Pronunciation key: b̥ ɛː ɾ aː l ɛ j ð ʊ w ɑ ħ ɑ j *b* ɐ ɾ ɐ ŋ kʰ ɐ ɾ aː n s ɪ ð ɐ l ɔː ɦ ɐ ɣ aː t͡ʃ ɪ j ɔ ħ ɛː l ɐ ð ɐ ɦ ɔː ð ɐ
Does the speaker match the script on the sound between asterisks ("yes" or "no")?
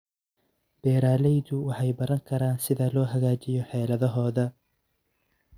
yes